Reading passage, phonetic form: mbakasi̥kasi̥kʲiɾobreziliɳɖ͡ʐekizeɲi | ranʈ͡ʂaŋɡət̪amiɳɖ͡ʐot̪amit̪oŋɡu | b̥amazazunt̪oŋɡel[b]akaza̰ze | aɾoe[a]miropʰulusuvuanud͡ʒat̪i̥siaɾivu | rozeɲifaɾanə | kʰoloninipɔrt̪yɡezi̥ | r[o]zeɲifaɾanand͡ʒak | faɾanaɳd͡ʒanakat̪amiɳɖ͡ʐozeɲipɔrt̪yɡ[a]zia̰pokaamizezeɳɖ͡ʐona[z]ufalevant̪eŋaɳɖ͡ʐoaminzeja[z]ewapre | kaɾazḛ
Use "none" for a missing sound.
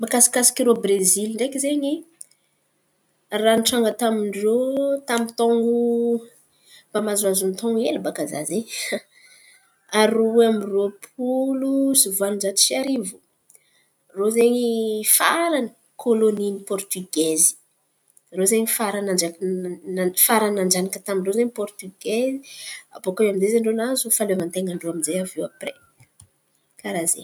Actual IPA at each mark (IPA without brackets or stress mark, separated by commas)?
b, a, o, e, z, v